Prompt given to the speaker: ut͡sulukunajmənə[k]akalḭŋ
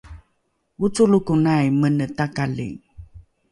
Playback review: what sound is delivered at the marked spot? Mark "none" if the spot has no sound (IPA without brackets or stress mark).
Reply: t